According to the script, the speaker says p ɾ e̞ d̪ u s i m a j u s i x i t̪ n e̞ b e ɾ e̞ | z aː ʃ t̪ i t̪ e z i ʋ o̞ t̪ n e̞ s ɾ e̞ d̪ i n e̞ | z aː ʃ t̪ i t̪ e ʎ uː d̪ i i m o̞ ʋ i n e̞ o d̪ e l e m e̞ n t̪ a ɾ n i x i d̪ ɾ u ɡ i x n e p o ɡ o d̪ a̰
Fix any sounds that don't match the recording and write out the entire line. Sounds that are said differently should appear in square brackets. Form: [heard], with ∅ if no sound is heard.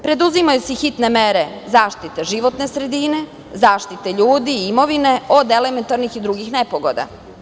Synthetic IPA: p ɾ e̞ d̪ u [z] i m a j u s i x i t̪ n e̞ [m] e ɾ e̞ | z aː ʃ t̪ i t̪ e [ʒ] i ʋ o̞ t̪ n e̞ s ɾ e̞ d̪ i n e̞ | z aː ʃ t̪ i t̪ e ʎ uː d̪ i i m o̞ ʋ i n e̞ o d̪ e l e m e̞ n t̪ a ɾ n i x i d̪ ɾ u ɡ i x n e p o ɡ o d̪ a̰

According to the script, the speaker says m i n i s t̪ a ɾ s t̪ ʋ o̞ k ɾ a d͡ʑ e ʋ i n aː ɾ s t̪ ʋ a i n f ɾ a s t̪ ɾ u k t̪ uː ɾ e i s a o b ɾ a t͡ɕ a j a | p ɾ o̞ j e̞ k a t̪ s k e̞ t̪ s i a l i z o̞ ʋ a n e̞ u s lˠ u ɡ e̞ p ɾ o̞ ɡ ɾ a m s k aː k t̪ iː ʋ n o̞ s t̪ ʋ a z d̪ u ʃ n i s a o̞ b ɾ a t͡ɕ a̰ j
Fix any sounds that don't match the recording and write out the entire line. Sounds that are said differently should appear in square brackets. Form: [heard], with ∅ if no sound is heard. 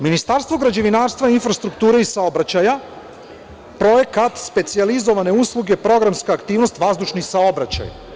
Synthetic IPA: m i n i s t̪ a ɾ s t̪ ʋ o̞ [ɡ] ɾ a d͡ʑ e ʋ i n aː ɾ s t̪ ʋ a i n f ɾ a s t̪ ɾ u k t̪ uː ɾ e i s a o b ɾ a t͡ɕ a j a | p ɾ o̞ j e̞ k a t̪ s [p] e̞ t̪ s i a l i z o̞ ʋ a n e̞ u s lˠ u ɡ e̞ p ɾ o̞ ɡ ɾ a m s k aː k t̪ iː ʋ n o̞ s t̪ ʋ a z d̪ u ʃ n i s a o̞ b ɾ a t͡ɕ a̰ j

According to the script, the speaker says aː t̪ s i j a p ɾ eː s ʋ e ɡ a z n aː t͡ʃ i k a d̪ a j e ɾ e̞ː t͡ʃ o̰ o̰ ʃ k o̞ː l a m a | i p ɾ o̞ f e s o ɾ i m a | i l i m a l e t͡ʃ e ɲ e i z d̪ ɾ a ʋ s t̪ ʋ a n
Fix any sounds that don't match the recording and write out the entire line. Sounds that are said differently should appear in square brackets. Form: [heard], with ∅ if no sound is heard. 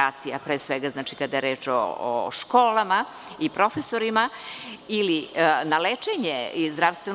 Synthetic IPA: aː t̪ s i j a p ɾ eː s ʋ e ɡ a z n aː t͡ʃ i k a d̪ a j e ɾ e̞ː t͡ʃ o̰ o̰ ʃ k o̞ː l a m a | i p ɾ o̞ f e s o ɾ i m a | i l i [n] a l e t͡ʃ e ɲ e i z d̪ ɾ a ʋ s t̪ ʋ [e] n

